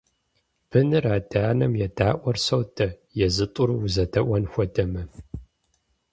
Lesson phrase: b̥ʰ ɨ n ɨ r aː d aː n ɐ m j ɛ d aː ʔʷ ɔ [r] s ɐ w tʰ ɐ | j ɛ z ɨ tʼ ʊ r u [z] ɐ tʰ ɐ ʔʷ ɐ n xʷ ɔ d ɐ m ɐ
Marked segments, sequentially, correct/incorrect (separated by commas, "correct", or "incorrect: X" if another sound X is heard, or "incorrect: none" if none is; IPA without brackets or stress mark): correct, correct